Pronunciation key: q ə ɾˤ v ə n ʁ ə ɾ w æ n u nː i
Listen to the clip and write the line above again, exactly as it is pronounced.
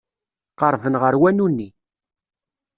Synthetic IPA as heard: q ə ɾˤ v ə n ʁ ə ɾ w æ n u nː i